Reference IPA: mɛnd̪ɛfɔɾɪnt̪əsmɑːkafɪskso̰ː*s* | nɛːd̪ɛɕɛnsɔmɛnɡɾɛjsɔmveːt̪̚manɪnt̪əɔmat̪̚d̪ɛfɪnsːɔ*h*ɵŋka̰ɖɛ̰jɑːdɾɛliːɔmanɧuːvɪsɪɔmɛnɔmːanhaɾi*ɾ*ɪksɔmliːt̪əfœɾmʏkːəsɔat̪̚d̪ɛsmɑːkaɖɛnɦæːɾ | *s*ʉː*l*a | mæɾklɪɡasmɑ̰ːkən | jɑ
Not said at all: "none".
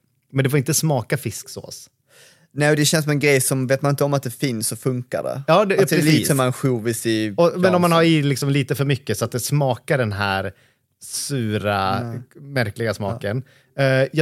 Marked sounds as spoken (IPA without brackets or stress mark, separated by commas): s, f, l, s, ɾ